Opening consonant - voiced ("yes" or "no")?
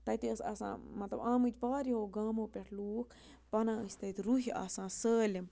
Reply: no